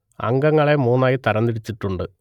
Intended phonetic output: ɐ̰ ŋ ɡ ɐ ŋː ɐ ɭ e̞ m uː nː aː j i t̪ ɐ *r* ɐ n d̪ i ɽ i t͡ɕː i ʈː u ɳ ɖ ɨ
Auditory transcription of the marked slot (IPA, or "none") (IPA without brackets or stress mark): ɾ